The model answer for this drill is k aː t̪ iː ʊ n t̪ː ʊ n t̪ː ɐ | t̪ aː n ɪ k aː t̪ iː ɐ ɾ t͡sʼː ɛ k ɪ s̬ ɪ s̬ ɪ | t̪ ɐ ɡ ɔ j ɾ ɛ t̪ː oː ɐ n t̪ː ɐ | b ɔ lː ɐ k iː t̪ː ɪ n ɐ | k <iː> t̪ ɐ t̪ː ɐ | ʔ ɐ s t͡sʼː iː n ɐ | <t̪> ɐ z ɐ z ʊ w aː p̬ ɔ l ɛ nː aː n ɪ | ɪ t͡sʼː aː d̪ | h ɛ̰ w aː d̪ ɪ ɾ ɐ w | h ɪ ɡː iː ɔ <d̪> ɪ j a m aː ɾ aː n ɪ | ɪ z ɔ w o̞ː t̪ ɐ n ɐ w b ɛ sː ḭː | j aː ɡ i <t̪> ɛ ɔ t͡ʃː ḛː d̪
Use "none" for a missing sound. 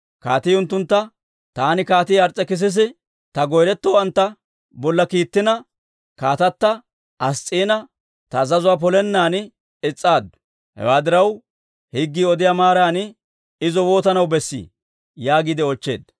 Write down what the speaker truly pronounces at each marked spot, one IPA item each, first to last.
aː, t̪, d̪, d̪

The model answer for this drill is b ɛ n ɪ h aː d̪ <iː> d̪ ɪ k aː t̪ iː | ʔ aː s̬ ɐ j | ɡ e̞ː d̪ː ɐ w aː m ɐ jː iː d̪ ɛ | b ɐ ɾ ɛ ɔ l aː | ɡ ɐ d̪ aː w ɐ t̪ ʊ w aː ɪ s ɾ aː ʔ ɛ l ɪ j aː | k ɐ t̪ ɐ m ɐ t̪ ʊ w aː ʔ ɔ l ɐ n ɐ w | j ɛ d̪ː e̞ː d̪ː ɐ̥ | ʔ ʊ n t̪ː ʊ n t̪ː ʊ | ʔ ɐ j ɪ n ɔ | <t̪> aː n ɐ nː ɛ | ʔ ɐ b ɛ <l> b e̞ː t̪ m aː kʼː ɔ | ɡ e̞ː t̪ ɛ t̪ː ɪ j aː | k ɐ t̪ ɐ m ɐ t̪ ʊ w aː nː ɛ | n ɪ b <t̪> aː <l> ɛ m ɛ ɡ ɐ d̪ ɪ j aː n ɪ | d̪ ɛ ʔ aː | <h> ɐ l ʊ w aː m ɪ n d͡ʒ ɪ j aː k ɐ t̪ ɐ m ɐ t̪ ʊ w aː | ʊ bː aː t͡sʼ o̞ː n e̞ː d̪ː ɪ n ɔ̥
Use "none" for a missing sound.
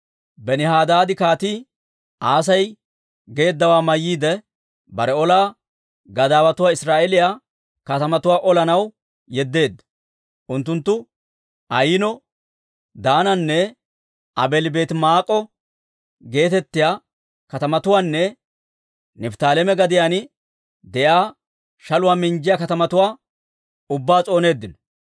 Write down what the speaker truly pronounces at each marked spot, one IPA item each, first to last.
aː, d̪, l, t̪, l, ʃ

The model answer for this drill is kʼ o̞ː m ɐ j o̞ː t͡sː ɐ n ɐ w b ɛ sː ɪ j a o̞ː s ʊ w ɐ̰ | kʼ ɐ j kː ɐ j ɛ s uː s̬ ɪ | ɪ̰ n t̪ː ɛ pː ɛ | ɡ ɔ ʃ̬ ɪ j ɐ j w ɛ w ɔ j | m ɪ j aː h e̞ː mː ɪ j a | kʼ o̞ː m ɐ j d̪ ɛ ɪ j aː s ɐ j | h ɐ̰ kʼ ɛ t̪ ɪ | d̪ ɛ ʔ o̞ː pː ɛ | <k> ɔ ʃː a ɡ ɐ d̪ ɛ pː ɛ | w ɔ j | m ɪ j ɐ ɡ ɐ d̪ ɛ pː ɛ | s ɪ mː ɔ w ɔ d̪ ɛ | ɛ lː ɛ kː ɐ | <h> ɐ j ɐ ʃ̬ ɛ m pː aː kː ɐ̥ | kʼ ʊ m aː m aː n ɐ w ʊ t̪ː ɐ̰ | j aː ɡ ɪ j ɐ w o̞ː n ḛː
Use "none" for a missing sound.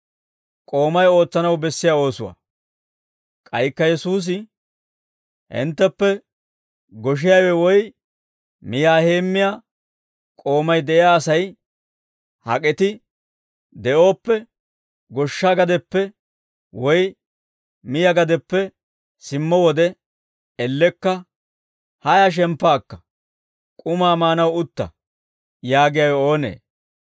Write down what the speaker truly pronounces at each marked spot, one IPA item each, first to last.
ɡ, h

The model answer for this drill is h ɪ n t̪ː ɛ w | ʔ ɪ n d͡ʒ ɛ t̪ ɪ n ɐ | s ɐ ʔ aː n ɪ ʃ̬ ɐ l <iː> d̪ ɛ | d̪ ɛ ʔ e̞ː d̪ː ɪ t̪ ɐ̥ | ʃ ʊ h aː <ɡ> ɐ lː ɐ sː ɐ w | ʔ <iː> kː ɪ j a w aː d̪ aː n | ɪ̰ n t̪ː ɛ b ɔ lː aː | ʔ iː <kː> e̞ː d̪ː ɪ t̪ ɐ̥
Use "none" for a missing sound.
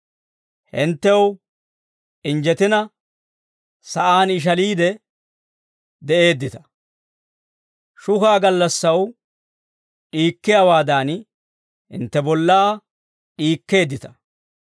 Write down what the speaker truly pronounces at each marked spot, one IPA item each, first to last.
iː, ɡ, iː, kː

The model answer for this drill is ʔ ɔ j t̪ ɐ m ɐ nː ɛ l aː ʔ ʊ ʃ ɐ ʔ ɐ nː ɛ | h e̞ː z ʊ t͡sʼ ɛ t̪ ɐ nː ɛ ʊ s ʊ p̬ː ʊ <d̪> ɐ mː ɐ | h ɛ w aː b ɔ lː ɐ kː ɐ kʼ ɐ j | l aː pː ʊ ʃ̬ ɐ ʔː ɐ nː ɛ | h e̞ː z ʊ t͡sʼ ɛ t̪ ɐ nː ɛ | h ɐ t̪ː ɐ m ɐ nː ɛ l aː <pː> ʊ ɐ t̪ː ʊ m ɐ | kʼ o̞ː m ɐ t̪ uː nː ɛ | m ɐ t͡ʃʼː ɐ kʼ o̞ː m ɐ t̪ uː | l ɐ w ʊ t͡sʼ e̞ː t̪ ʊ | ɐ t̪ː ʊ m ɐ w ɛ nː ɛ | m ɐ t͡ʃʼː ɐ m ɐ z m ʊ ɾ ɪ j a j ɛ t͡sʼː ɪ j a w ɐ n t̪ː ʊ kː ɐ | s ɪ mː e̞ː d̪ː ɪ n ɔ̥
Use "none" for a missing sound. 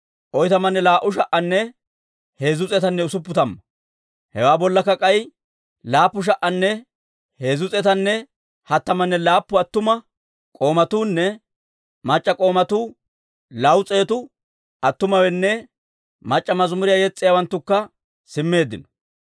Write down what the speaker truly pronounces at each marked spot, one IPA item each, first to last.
t̪, pː

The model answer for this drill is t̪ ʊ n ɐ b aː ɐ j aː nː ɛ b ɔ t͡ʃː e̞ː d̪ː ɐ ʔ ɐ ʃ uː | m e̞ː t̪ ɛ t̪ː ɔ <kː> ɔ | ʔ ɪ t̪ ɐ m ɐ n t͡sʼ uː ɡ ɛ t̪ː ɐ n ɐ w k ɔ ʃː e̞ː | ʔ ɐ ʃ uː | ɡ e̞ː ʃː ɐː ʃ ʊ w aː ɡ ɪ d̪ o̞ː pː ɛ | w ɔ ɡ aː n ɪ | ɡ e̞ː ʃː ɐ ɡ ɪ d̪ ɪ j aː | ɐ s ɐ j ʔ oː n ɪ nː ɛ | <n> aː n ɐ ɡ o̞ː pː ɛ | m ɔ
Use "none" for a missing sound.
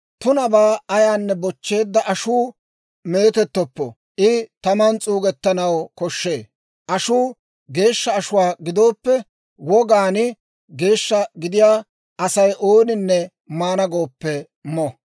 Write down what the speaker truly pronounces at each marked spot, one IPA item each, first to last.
pː, m

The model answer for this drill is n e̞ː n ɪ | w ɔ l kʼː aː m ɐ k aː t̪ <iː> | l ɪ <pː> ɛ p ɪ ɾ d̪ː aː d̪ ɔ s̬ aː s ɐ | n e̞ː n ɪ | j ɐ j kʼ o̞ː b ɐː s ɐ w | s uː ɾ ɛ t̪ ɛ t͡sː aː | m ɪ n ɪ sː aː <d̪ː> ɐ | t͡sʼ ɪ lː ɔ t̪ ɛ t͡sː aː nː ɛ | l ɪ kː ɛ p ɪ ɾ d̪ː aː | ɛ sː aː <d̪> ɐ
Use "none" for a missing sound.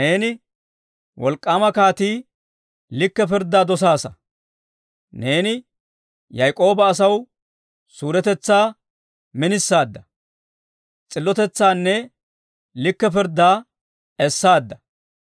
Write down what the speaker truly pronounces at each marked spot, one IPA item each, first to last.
iː, kː, d̪ː, d̪ː

